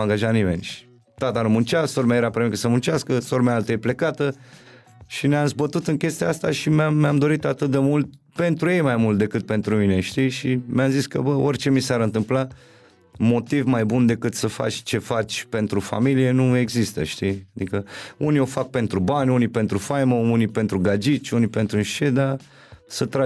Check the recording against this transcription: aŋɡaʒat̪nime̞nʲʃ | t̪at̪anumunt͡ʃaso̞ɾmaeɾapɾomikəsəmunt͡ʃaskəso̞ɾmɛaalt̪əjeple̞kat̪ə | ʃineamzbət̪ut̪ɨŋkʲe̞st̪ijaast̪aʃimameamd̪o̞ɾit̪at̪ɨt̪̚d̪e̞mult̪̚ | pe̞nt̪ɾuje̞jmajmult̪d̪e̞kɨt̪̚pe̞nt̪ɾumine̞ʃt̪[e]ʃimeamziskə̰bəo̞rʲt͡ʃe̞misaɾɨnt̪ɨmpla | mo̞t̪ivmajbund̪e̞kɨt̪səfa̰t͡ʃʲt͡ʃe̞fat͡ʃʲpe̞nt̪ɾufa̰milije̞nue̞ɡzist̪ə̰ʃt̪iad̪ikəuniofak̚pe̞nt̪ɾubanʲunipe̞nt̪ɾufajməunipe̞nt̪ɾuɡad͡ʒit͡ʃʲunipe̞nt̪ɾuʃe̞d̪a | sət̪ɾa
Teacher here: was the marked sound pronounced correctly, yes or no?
no